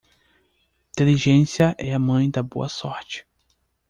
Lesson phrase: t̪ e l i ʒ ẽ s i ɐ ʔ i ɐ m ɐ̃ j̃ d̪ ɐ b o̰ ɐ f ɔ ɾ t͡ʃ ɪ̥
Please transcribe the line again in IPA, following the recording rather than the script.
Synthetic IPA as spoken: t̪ e l i ʒ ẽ s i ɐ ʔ ɛ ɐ m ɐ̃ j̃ d̪ ɐ b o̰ ɐ s ɔ ɾ t͡ʃ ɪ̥